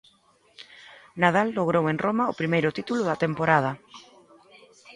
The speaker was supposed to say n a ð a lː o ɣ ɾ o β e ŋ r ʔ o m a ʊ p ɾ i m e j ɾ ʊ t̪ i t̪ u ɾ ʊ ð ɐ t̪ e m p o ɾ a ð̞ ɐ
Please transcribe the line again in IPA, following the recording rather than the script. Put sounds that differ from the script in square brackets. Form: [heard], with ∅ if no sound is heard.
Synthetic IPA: n a ð a lː o ɣ ɾ o [w] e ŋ r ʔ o m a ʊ p ɾ i m e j ɾ ʊ t̪ i t̪ u [l] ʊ ð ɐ t̪ e m p o ɾ a ð̞ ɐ